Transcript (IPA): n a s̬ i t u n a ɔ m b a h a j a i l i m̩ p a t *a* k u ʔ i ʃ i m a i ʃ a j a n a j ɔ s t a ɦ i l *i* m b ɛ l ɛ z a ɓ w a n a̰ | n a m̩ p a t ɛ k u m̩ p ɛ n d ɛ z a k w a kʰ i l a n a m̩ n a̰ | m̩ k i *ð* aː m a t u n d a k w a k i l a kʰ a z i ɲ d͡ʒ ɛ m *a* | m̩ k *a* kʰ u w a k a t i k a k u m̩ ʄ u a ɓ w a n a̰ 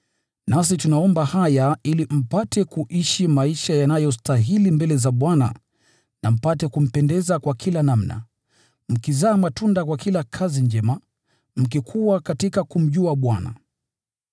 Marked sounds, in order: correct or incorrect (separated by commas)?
incorrect, correct, incorrect, correct, incorrect